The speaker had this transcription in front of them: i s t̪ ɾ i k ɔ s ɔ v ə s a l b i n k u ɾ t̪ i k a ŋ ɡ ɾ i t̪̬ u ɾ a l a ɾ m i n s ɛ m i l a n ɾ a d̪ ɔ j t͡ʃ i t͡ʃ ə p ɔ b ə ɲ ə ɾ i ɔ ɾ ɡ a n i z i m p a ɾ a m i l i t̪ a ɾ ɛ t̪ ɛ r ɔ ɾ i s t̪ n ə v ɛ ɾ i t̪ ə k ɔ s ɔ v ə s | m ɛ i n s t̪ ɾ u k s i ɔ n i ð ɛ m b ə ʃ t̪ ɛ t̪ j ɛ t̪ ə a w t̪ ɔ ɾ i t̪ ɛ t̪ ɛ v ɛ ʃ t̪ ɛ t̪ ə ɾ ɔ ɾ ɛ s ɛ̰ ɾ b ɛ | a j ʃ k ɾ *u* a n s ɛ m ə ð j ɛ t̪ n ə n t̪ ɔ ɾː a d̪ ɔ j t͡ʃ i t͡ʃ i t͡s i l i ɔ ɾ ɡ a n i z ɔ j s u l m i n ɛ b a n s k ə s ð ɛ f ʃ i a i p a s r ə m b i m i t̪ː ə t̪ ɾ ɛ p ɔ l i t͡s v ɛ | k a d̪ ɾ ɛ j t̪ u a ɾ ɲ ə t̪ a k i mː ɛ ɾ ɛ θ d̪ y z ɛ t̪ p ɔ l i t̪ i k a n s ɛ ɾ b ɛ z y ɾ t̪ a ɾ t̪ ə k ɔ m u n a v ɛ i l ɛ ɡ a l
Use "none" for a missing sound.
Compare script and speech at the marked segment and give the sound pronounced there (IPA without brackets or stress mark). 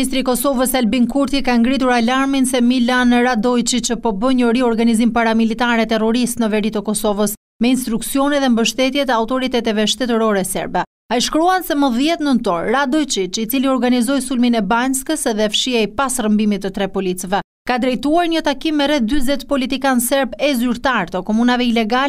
u